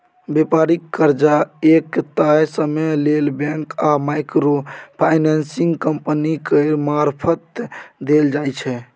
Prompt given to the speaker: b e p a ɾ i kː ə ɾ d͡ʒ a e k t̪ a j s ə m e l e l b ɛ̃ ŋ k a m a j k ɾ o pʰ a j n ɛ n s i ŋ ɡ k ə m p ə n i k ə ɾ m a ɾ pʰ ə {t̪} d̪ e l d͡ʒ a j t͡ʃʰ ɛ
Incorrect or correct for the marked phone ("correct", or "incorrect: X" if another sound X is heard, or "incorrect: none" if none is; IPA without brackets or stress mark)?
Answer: correct